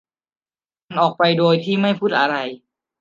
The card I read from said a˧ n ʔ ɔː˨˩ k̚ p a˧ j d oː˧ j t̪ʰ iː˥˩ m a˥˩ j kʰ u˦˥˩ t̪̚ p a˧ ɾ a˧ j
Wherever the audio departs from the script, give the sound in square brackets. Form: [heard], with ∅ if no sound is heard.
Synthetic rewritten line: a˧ n ʔ ɔː˨˩ k̚ p a˧ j d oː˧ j t̪ʰ iː˥˩ m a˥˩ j [pʰ] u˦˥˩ t̪̚ [ʔ] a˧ ɾ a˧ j